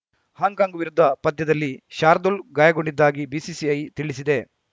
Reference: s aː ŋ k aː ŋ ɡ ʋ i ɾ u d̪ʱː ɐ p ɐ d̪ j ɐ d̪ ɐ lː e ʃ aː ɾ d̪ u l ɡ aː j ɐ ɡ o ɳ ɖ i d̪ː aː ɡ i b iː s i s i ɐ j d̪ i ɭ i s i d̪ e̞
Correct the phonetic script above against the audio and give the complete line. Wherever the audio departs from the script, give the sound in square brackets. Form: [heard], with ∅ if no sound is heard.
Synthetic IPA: [h] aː ŋ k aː ŋ ɡ ʋ i ɾ u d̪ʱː ɐ p ɐ d̪ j ɐ d̪ ɐ lː [i] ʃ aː ɾ d̪ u l ɡ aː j ɐ ɡ o ɳ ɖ i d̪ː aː ɡ i b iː s i s i ɐ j [t̪] i ɭ i s i d̪ e̞